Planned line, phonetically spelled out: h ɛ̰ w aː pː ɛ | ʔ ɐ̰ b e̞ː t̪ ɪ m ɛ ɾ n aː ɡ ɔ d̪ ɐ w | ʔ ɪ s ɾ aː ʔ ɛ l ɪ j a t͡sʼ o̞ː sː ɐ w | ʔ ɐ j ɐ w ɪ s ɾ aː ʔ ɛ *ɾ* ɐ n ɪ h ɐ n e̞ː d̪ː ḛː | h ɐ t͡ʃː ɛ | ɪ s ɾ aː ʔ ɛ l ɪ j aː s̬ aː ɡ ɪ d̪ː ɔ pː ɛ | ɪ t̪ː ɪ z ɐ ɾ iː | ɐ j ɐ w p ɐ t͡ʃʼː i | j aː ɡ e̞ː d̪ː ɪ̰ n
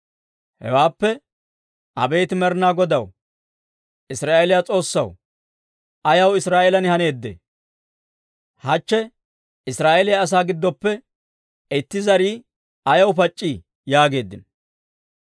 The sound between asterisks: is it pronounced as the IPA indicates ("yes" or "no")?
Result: no